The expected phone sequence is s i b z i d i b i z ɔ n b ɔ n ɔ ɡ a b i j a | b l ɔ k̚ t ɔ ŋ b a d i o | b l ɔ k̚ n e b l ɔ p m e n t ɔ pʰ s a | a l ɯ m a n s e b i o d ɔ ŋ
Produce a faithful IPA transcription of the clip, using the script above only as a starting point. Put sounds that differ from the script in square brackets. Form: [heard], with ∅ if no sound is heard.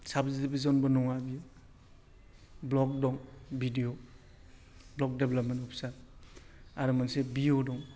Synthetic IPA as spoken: s [a] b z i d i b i z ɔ n b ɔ n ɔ [ŋ] a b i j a | b l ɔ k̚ [d] ɔ ŋ b [i] d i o | b l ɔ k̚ [d] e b l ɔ p m e n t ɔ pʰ s a | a [ɾ] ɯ m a n s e b i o d ɔ ŋ

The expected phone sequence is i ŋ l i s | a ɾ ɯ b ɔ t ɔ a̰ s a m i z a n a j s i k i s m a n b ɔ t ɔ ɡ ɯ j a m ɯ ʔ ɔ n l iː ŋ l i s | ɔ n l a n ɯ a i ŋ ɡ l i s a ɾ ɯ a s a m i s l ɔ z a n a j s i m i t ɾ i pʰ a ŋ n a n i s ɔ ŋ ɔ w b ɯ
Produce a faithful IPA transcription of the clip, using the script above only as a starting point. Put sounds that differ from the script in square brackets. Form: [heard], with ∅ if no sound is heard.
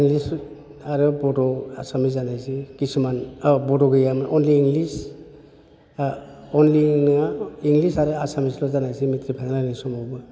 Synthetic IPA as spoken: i ŋ l i s | a ɾ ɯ b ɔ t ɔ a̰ s a m i z a n a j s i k i s m a n b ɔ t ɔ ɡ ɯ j a m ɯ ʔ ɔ n l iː ŋ l i s | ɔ n l [i] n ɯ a i ŋ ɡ l i s a ɾ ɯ a s a m i s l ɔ z a n a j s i m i t ɾ i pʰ a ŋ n a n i s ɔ [m] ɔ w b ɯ

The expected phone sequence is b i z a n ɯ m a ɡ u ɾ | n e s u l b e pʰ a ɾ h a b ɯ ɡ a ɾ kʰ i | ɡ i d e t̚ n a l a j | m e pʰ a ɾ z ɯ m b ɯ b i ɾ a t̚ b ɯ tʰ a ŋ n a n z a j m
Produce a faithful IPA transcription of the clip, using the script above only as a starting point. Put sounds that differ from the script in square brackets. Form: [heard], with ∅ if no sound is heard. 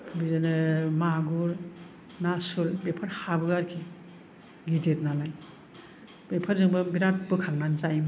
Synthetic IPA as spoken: b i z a n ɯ m a ɡ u ɾ | n [a] s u l b e pʰ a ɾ h a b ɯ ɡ a ɾ kʰ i | ɡ i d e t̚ n a l a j | [b] e pʰ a ɾ z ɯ [ŋ] b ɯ b i ɾ a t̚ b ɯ [kʰ] a ŋ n a n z a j m

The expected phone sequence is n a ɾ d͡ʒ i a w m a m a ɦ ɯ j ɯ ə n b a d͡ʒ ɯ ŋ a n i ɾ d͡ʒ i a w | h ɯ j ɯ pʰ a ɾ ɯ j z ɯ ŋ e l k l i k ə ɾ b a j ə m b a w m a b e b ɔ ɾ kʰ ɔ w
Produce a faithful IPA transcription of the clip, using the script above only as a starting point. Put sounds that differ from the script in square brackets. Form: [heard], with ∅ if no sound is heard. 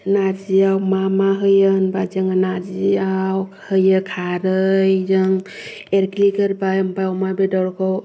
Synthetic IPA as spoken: n a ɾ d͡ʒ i a w m a m a ɦ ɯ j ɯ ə n b a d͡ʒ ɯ ŋ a n [a] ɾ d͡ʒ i a w | h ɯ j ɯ [kʰ] a ɾ ɯ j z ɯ ŋ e [ɾ] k l i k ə ɾ b a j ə m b a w m a b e [d] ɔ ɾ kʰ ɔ w

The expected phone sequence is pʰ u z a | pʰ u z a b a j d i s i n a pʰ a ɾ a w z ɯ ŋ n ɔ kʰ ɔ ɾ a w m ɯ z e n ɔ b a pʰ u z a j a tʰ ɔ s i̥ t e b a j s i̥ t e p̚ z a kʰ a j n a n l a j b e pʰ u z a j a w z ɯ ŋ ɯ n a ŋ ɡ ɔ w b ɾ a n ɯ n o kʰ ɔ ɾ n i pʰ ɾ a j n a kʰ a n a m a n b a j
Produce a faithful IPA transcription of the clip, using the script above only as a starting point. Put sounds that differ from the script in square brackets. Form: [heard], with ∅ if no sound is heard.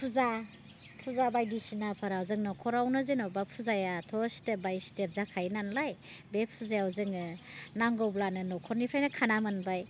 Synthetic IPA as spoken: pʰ u z a | pʰ u z a b a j d i s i n a pʰ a ɾ a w z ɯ ŋ n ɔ kʰ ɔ ɾ a w [n] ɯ z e n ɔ b a pʰ u z a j a tʰ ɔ s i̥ t e b a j s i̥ t e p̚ z a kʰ a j n a n l a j b e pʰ u z a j a w z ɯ ŋ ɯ n a ŋ ɡ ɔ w b [l] a n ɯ n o kʰ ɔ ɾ n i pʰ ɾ a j n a kʰ a n a m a n b a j

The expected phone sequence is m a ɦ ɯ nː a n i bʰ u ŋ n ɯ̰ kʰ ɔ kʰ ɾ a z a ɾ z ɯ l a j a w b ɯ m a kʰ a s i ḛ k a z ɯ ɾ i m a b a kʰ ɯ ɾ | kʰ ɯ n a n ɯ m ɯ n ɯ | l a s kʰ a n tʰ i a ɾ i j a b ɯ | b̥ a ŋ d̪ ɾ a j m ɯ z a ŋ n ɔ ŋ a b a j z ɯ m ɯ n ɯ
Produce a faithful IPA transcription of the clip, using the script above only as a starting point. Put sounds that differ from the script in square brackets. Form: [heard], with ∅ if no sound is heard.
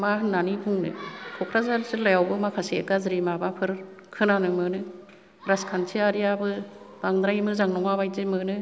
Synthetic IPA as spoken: m a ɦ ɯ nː a n i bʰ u ŋ n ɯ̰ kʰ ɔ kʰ ɾ a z a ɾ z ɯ l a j a w b ɯ m a kʰ a s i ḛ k a z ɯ ɾ i m a b a [pʰ] ɯ ɾ | kʰ ɯ n a n ɯ m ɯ n ɯ | [ɾ] a s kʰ a n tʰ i a ɾ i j a b ɯ | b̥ a ŋ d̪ ɾ a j m ɯ z a ŋ n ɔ ŋ a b a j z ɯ m ɯ n ɯ

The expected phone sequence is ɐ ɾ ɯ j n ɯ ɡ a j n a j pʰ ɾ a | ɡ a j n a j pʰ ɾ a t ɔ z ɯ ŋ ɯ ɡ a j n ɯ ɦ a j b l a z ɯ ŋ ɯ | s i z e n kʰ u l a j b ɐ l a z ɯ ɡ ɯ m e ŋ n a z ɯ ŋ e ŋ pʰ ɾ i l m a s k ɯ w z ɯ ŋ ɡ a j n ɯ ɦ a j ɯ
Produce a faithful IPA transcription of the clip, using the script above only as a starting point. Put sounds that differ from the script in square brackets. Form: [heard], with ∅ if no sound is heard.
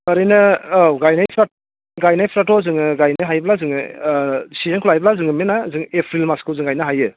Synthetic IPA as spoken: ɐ ɾ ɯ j n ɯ ɡ a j n a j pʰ ɾ a | ɡ a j n a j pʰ ɾ a t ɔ z ɯ ŋ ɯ ɡ a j n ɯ ɦ a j b l a z ɯ ŋ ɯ | s i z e n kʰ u l a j b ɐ l a z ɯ [ŋ] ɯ m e [∅] n a z ɯ ŋ e [∅] pʰ ɾ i l m a s k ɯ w z ɯ ŋ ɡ a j n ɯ ɦ a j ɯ

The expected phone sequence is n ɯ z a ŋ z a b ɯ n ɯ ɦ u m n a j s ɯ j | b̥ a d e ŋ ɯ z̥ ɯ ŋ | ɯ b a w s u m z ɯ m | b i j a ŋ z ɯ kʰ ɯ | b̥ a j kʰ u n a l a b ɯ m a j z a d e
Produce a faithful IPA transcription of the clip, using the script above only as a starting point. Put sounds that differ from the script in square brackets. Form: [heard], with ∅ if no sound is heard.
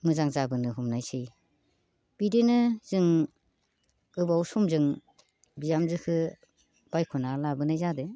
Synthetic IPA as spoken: [m] ɯ z a ŋ z a b ɯ n ɯ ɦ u m n a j s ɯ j | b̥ [i] d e [n] ɯ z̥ ɯ ŋ | ɯ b a w s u m z ɯ [ŋ] | b i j a [m] z ɯ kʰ ɯ | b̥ a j kʰ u n a l a b ɯ [n] a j z a d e

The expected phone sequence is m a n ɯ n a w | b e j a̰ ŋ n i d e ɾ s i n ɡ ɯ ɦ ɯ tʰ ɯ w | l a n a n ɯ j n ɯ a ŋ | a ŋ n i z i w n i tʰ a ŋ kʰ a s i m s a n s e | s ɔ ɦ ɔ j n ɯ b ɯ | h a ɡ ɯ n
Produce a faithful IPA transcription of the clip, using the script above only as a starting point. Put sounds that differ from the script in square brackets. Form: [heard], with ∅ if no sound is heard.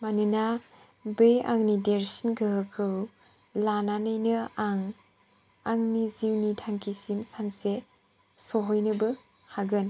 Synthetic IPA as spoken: m a n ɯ n a [∅] | b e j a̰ ŋ n i d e ɾ s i n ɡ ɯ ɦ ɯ [kʰ] ɯ w | l a n a n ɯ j n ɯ a ŋ | a ŋ n i z i w n i tʰ a ŋ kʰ [i] s i m s a n s e | s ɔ ɦ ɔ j n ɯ b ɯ | h a ɡ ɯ n

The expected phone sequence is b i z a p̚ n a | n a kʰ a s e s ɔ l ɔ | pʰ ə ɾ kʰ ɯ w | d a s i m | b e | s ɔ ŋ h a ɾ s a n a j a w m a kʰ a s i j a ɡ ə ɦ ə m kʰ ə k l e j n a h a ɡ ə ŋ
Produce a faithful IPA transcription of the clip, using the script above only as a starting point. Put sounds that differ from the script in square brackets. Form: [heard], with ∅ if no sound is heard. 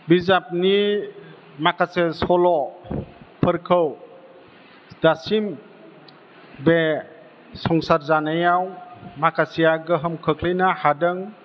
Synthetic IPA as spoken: b i z a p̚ n [i] | [m] a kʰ a s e s ɔ l ɔ | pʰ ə ɾ kʰ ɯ w | d a s i m | b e | s ɔ ŋ [s] a ɾ [z] a n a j a w m a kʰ a s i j a ɡ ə ɦ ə m kʰ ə k l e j n a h a [d] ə ŋ

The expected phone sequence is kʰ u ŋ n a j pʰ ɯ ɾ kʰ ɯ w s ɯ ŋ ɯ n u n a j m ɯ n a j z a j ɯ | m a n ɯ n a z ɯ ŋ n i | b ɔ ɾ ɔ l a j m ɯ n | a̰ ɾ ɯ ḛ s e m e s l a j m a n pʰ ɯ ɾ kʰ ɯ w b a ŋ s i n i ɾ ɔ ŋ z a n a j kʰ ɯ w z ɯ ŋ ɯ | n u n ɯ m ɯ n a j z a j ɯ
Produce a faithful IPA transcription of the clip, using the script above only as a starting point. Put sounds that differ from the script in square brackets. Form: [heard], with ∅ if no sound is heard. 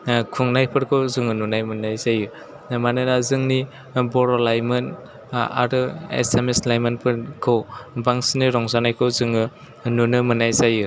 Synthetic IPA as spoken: kʰ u ŋ n a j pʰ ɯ ɾ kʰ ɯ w [z] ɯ ŋ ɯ n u n a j m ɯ n a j z a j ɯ | m a n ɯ n a z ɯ ŋ n i | b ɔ ɾ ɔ l a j m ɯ n | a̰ ɾ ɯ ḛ s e m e s l a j m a n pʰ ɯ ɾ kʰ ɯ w b a ŋ s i n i ɾ ɔ ŋ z a n a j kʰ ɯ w z ɯ ŋ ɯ | n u n ɯ m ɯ n a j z a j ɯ

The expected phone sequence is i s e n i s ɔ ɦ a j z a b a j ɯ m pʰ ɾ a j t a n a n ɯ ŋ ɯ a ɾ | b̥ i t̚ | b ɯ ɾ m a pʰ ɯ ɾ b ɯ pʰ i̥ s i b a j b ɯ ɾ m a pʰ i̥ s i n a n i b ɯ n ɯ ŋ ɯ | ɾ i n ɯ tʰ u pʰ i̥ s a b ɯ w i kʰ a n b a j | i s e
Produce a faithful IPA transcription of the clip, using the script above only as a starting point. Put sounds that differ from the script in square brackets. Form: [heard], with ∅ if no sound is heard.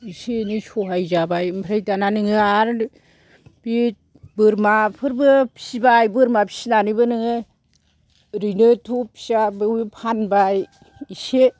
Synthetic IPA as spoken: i s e n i s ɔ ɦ a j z a b a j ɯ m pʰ ɾ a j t a n a n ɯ ŋ ɯ a ɾ | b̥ i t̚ | b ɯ ɾ m a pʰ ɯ ɾ b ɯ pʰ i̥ s i b a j b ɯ ɾ m a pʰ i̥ s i n a n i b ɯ n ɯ ŋ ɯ | ɾ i n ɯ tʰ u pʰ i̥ s a b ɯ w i [pʰ] a n b a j | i s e

